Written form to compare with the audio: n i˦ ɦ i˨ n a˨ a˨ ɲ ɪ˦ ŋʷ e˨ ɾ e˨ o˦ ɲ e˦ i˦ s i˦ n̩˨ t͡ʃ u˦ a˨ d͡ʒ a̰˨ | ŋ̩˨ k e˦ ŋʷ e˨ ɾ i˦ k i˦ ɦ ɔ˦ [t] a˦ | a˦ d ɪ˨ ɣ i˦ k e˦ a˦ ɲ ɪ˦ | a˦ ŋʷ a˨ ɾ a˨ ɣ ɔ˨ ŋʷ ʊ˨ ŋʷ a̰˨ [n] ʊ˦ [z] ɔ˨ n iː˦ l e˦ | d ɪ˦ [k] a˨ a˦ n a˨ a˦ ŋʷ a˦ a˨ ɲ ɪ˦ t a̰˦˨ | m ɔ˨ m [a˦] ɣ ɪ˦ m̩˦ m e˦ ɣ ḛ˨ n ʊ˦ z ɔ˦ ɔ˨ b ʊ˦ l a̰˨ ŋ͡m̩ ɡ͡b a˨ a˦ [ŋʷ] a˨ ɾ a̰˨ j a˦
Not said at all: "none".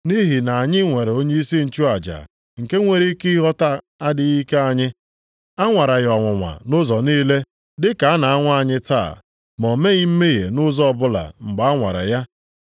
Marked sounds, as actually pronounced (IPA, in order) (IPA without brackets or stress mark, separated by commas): t, n, z, k, e˦, ŋʷ